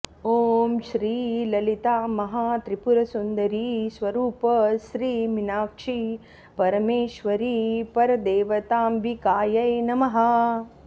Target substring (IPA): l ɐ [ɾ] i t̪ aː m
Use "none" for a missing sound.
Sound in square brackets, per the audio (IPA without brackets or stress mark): l